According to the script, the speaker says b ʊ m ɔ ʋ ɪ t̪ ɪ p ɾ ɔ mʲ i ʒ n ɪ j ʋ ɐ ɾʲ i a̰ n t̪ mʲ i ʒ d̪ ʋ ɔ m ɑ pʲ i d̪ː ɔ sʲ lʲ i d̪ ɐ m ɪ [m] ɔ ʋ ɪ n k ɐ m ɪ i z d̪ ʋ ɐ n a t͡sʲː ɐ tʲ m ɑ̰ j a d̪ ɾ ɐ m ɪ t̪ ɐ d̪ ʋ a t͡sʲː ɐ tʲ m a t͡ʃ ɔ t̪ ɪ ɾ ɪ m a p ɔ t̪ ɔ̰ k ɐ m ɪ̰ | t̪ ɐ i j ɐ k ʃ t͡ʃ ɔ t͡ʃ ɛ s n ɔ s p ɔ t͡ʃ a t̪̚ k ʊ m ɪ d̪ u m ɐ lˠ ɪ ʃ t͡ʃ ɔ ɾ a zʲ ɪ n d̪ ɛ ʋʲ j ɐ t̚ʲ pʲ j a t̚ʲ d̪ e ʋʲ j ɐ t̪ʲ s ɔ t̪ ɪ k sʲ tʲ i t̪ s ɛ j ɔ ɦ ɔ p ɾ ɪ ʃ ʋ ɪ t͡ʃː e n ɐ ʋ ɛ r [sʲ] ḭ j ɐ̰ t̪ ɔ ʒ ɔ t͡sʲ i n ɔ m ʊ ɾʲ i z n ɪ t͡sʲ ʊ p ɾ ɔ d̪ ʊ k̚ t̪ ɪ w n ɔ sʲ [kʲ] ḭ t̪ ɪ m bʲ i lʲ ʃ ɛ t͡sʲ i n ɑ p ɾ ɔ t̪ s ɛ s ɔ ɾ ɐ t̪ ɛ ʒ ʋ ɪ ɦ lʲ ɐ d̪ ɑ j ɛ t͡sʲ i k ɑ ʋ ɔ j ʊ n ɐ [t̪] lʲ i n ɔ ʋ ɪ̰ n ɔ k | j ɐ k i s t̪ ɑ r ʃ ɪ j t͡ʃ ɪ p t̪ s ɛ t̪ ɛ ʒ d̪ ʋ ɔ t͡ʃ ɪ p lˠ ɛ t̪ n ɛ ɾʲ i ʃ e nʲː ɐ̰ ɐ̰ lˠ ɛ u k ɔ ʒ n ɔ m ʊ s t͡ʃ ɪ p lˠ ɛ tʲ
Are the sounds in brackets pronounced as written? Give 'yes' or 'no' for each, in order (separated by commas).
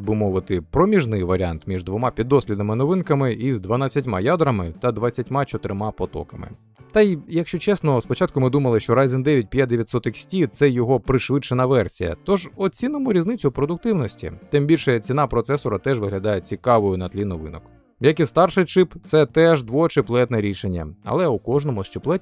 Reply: no, yes, no, yes